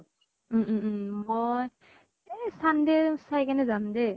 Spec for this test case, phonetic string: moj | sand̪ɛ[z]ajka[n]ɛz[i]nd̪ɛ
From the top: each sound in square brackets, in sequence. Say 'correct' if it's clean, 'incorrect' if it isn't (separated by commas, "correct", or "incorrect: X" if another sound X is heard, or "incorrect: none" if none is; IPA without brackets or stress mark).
incorrect: s, correct, incorrect: a